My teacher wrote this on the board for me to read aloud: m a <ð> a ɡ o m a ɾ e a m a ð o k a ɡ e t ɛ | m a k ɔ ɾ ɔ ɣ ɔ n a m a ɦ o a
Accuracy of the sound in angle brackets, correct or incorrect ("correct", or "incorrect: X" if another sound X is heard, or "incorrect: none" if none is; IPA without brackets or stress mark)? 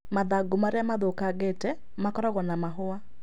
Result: correct